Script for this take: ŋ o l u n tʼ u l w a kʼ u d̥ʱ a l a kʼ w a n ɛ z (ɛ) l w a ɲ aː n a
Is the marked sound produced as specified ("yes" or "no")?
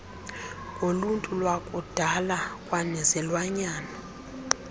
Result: yes